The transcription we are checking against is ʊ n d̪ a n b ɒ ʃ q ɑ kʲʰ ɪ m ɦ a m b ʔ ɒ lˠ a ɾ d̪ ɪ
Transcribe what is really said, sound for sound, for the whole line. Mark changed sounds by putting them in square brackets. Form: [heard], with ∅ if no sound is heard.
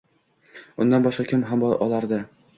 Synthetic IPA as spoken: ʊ n d̪ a n b ɒ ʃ q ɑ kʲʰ ɪ m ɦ a m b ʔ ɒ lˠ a ɾ d̪ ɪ